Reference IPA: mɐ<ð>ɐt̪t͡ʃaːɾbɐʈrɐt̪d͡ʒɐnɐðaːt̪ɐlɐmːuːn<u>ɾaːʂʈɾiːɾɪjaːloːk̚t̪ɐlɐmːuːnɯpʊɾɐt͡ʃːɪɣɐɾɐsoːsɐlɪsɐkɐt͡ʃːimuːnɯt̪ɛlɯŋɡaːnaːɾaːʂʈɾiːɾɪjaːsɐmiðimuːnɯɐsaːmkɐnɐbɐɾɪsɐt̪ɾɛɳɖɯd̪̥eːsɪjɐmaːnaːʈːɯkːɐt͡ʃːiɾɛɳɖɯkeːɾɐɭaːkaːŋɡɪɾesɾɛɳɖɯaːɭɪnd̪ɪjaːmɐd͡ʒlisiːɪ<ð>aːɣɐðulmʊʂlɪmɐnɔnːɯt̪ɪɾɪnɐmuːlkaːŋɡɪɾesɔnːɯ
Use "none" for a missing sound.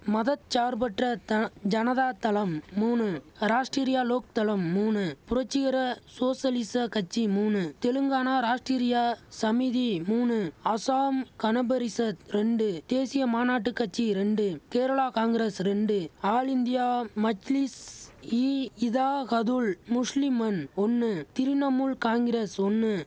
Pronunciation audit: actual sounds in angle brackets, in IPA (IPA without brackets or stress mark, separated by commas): ð, ɯ, ð